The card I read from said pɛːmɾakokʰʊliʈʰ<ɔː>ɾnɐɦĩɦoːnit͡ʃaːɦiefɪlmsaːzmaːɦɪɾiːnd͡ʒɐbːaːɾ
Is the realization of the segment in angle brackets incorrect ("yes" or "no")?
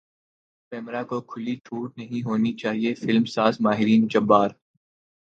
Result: yes